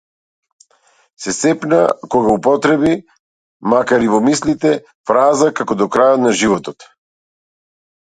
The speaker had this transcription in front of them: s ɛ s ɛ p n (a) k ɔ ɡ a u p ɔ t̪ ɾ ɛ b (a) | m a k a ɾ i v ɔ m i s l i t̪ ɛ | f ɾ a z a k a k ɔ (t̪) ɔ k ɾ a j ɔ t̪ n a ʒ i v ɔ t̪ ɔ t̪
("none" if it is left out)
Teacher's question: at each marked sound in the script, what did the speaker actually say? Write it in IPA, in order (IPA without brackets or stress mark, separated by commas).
a, i, d̪